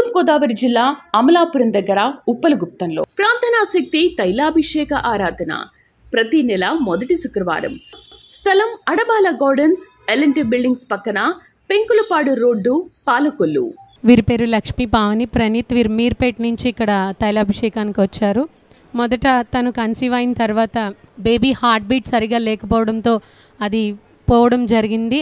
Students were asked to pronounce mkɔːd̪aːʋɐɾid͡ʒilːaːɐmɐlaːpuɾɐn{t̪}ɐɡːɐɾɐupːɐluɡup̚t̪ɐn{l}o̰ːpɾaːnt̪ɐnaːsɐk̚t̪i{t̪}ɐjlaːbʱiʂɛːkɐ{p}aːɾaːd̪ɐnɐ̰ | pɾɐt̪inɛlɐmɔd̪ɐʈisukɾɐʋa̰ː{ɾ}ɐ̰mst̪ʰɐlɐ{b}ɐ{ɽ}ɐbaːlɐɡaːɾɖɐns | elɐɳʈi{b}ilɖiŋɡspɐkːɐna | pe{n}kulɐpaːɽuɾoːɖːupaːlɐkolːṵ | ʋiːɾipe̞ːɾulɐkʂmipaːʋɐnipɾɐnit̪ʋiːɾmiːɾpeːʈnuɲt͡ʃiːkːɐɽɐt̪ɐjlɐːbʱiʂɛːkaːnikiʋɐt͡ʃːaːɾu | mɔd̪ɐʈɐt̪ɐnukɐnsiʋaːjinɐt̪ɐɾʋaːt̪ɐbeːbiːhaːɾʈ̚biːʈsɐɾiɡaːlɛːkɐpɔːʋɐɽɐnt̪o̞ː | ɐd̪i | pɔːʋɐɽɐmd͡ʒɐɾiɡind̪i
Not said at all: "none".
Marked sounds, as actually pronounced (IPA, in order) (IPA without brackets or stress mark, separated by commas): d̪, l, t̪, ʔ, ɾ, m, ɽ, b, ŋ